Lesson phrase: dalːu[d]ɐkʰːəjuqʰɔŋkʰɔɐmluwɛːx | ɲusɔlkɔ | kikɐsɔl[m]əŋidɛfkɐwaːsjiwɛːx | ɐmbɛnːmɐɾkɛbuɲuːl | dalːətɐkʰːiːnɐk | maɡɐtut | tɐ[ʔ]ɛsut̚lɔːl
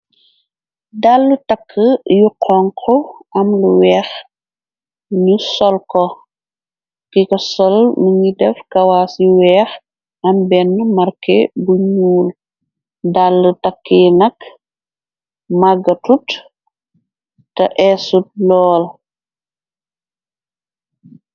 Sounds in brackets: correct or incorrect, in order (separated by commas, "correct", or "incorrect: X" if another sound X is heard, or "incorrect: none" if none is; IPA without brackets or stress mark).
incorrect: t, correct, correct